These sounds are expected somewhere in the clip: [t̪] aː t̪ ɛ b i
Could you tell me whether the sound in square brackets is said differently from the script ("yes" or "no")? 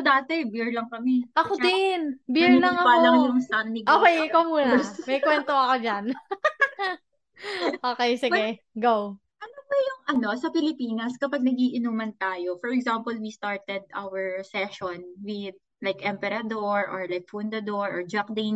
yes